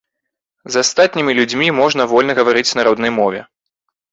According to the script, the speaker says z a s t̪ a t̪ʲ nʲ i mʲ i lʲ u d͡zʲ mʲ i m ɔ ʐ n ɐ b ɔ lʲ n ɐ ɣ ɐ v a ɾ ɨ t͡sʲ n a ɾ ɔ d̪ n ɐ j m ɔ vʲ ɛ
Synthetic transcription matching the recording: z a s t̪ a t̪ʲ nʲ i mʲ i lʲ u d͡zʲ mʲ i m ɔ ʐ n ɐ v ɔ lʲ n ɐ ɣ ɐ v a ɾ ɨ t͡sʲ n a ɾ ɔ d̪ n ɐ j m ɔ vʲ ɛ